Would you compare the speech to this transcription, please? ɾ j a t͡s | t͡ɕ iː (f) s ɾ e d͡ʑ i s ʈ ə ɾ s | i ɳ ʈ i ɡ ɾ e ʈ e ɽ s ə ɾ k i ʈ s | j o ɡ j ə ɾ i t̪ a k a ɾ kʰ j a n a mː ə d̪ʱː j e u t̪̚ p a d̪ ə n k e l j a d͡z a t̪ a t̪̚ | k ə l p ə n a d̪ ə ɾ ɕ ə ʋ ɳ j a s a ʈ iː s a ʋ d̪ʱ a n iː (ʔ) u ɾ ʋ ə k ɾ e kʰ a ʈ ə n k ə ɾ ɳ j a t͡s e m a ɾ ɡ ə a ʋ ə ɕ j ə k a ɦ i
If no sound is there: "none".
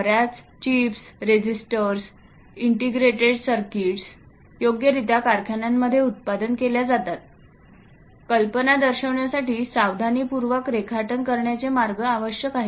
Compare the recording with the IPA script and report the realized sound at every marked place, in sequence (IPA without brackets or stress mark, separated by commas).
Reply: f, p